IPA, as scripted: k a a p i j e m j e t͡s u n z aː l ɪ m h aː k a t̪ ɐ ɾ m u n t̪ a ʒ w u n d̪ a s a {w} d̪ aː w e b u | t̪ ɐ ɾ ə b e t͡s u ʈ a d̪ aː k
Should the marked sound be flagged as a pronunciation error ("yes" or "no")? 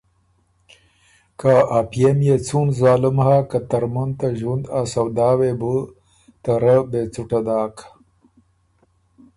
no